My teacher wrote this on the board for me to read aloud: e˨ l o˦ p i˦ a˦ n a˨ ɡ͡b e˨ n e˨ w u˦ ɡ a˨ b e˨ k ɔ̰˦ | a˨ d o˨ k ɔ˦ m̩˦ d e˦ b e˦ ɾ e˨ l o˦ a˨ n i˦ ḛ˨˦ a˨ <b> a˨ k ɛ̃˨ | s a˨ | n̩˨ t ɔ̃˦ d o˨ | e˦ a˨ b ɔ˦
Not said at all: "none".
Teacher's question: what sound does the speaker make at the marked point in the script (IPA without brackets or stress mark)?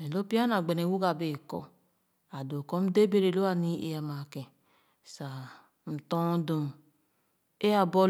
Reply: m